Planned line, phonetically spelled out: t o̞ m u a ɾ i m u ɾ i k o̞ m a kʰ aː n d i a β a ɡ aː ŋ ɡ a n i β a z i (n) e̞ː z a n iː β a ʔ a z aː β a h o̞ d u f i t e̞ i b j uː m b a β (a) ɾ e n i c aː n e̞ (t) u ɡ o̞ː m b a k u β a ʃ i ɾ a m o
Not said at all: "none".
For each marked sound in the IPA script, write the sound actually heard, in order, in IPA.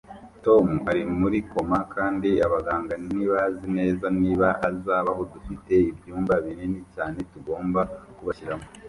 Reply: n, i, t

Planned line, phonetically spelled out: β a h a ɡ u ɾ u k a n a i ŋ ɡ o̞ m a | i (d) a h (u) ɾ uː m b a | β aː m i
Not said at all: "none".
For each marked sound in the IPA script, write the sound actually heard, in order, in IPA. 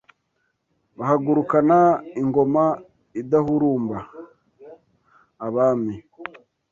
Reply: d, u

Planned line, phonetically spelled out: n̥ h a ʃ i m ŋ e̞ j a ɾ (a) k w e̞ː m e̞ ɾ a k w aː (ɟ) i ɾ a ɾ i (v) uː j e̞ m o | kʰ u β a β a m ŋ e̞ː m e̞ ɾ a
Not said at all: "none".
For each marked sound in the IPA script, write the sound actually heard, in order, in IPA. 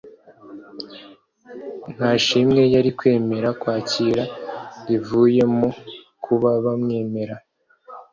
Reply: i, c, v

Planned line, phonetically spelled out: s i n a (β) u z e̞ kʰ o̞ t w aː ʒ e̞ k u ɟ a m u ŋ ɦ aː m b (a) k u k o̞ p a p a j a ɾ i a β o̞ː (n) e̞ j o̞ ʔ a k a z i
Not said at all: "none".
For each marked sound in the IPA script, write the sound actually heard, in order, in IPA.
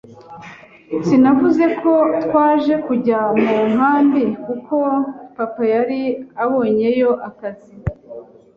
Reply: v, i, ɲ

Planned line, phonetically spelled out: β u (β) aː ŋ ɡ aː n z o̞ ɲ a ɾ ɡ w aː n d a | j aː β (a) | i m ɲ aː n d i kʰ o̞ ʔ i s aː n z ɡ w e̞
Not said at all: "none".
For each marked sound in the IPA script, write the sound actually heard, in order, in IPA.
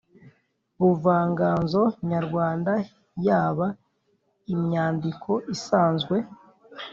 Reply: v, a

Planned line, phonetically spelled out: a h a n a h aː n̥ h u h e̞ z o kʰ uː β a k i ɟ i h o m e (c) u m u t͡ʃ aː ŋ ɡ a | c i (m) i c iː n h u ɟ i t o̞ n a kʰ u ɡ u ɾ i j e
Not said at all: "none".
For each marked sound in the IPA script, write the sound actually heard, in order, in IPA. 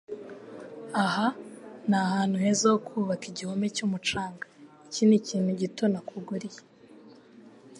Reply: c, n

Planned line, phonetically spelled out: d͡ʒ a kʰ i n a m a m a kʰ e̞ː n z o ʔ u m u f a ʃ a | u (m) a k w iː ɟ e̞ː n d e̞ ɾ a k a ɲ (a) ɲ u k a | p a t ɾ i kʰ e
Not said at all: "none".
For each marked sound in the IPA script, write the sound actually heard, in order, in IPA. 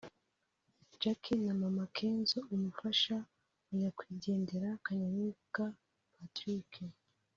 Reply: ɲ, a

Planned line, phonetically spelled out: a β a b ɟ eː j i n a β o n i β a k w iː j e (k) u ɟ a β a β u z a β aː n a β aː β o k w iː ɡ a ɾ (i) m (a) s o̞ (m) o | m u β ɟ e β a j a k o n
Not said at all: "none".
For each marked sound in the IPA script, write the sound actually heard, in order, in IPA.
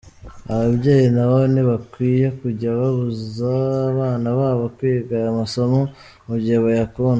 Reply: k, a, a, m

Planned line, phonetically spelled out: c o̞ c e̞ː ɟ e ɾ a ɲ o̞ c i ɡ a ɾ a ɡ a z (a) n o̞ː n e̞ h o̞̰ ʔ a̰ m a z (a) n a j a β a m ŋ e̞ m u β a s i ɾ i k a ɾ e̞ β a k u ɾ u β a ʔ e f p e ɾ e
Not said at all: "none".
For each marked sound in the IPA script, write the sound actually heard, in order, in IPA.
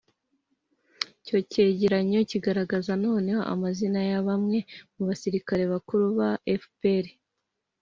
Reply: a, i

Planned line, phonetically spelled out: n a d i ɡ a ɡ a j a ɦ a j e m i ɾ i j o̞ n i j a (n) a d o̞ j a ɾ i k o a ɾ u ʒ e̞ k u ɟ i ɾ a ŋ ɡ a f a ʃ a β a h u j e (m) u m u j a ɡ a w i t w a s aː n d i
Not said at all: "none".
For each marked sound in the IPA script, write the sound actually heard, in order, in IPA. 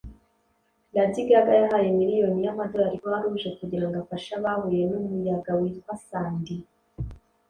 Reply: m, n

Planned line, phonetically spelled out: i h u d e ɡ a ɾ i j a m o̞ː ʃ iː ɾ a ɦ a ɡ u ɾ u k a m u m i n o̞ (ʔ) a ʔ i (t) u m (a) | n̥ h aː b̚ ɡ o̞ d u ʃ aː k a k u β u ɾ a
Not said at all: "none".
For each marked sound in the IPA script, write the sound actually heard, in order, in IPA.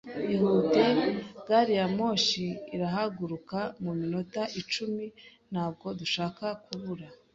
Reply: t, t͡ʃ, i

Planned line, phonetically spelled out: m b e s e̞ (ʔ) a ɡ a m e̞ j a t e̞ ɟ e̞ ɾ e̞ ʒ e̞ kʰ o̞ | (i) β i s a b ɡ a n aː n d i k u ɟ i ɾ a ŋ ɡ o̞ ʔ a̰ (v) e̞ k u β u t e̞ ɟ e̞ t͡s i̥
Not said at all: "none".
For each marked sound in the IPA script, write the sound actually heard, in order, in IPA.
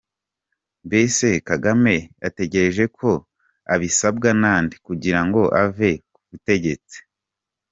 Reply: k, a, v

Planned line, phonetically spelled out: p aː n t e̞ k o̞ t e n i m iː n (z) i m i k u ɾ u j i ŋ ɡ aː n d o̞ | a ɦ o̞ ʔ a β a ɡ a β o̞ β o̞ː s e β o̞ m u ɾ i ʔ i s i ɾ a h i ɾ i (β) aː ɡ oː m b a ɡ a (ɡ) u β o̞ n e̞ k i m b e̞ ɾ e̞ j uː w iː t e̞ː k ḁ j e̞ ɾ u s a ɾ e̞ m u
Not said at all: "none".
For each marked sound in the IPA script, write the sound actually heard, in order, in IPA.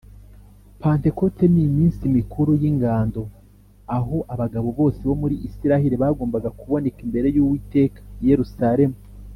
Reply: s, β, k

